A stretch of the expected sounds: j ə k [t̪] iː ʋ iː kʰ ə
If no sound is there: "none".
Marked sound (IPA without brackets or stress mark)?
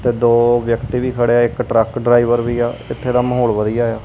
t̪